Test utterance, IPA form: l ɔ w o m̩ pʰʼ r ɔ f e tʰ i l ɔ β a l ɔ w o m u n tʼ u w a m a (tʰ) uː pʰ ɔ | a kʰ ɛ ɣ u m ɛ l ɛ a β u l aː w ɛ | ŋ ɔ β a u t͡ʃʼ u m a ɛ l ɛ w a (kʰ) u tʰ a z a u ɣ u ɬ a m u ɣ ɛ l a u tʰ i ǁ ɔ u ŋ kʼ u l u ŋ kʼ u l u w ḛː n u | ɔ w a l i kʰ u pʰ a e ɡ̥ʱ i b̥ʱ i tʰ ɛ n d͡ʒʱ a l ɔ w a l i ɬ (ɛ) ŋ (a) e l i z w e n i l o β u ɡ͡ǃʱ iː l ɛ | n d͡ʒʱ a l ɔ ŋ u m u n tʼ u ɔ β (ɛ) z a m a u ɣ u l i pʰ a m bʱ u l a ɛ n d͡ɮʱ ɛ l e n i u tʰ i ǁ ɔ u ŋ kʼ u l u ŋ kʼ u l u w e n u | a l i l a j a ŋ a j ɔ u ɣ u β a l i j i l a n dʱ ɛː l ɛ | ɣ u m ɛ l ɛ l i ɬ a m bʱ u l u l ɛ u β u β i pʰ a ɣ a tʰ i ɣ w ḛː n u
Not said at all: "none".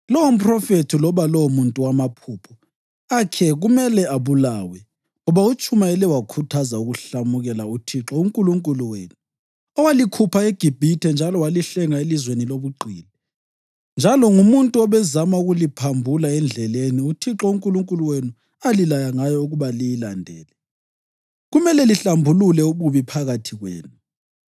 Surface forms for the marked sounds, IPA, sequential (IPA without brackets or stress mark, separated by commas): pʰ, kʰ, ɛ, a, ɛ